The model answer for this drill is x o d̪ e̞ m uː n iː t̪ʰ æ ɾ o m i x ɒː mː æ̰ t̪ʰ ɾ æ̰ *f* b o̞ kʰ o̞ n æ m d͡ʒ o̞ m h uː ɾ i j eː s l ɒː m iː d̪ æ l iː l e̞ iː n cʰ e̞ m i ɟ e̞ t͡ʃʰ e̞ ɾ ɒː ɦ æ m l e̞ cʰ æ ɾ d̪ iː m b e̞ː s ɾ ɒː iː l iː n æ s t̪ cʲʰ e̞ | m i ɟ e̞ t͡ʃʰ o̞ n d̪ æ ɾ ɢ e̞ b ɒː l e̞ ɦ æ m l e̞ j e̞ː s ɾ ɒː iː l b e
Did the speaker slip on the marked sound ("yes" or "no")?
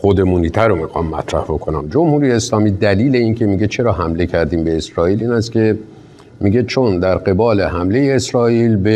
yes